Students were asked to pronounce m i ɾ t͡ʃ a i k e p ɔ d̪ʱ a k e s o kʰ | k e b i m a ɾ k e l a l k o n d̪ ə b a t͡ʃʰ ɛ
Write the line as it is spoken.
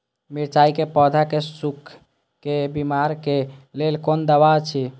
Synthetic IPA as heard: m i ɾ t͡ʃ a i k e p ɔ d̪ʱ a k e s u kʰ | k e b i m a ɾ k e l e l k o n d̪ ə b a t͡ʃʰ i

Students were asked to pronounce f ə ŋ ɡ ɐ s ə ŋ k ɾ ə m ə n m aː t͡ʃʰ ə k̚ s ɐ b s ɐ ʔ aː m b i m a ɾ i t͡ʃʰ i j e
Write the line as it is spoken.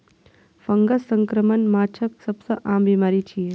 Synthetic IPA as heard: f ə ŋ ɡ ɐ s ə ŋ k ɾ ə m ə n m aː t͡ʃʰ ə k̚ s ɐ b s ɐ ʔ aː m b i m a ɾ i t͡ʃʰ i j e

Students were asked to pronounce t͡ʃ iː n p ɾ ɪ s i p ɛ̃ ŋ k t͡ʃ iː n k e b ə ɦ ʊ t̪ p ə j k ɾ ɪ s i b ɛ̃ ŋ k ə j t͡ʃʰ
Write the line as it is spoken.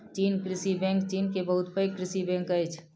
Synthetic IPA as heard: t͡ʃ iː n k ɾ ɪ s i b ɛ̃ ŋ k t͡ʃ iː n k e b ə ɦ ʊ t̪ p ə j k ɾ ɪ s i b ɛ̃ ŋ k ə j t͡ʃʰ

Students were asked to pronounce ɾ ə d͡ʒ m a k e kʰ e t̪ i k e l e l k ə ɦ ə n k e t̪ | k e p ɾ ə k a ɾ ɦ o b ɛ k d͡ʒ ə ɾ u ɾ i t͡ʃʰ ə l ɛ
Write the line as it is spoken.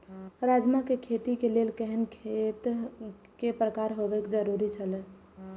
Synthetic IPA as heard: ɾ a d͡ʒ m a k e kʰ e t̪ i k e l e l k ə ɦ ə n kʰ e t̪ | k e p ɾ ə k a ɾ ɦ o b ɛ k d͡ʒ ə ɾ u ɾ i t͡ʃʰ ə l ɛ

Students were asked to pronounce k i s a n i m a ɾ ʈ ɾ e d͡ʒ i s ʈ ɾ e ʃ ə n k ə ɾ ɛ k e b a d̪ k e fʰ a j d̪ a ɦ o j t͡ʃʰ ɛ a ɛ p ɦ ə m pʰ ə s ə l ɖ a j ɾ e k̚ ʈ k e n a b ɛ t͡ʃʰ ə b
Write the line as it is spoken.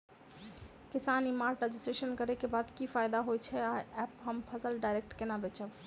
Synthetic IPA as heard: k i s a n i m a ɾ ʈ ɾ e d͡ʒ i s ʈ ɾ e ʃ ə n k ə ɾ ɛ k e b a d̪ k i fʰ a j d̪ a ɦ o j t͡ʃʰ ɛ a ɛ p ɦ ə m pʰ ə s ə l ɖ a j ɾ e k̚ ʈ k e n a b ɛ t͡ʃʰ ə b

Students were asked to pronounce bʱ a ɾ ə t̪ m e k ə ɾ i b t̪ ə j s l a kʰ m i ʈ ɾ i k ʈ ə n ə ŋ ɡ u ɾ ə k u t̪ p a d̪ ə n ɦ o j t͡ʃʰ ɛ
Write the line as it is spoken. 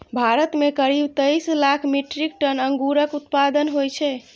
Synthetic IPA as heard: bʱ a ɾ ə t̪ m e k ə ɾ i b t̪ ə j s l a kʰ m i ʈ ɾ i k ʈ ə n ə ŋ ɡ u ɾ ə k u t̪ p a d̪ ə n ɦ o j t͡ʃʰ ɛ

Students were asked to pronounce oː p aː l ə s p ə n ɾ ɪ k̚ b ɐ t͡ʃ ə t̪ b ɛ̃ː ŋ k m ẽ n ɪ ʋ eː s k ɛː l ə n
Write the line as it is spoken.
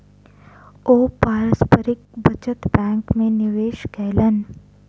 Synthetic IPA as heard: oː p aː ɾ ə s p ə ɾ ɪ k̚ b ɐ t͡ʃ ə t̪ b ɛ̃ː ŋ k m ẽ n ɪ ʋ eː ʃ k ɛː l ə n

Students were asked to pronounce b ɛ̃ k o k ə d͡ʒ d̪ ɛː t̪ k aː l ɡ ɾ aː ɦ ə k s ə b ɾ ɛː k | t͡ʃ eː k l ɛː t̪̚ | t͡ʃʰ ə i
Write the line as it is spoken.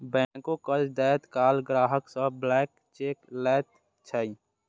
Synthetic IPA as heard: b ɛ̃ k o k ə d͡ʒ d̪ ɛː t̪ k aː l ɡ ɾ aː ɦ ə k s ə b l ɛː k | t͡ʃ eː k l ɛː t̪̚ | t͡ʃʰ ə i

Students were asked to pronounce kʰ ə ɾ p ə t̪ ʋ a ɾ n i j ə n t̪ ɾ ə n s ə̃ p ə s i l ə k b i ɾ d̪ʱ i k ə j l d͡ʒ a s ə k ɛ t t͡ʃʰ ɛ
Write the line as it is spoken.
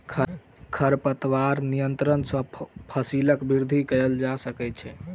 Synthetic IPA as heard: kʰ ə ɾ p ə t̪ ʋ a ɾ n i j ə n t̪ ɾ ə n s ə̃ pʰ ə s i l ə k b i ɾ d̪ʱ i k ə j l d͡ʒ a s ə k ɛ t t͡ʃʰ ɛ

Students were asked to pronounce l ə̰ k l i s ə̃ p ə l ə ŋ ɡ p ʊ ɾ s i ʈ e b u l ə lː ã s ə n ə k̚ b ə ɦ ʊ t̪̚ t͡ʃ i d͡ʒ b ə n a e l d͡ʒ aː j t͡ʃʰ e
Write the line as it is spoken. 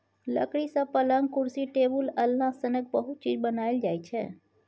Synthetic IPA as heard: l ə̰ k ɽ i s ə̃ p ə l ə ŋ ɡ k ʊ ɾ s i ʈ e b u l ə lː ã s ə n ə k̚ b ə ɦ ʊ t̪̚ t͡ʃ i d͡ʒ b ə n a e l d͡ʒ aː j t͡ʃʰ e

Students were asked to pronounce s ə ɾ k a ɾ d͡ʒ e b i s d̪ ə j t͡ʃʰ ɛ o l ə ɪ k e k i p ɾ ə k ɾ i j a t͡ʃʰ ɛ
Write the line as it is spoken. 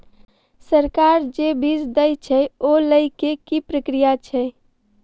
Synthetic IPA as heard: s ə ɾ k a ɾ d͡ʒ e b i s d̪ ə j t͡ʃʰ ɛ o l ə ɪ k e k i p ɾ ə k ɾ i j a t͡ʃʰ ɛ

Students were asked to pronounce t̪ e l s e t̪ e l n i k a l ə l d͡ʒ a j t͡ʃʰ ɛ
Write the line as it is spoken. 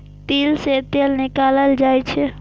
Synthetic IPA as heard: t̪ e l s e t̪ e l n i k a l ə l d͡ʒ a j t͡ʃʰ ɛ

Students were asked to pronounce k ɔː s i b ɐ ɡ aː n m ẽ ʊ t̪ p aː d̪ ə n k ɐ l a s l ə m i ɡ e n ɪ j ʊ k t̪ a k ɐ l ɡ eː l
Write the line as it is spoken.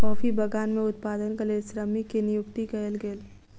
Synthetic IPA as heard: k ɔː f i b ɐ ɡ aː n m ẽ ʊ t̪ p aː d̪ ə n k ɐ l e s ɾ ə m i k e n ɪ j ʊ k t̪ i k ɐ l ɡ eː l

